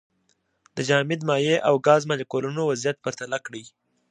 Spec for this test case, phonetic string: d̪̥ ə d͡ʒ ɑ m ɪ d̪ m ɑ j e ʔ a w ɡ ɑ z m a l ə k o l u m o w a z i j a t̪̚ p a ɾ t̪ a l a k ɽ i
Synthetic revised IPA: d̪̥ ə d͡ʒ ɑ m ɪ d̪ m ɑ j e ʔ a w ɡ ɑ z m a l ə k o l u n o w a z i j a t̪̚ p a ɾ t̪ a l a k ɽ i